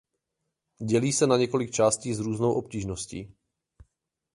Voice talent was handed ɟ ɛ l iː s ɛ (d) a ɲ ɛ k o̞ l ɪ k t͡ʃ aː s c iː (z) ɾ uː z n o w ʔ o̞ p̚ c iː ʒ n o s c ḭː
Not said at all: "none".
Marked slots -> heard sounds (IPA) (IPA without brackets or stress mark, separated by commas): n, z